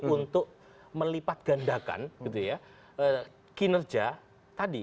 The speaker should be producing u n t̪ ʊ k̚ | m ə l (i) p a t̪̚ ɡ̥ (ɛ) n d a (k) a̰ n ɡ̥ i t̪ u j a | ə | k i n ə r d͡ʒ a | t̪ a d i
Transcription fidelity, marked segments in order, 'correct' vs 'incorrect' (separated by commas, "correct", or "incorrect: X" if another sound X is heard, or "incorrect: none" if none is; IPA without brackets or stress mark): correct, incorrect: a, correct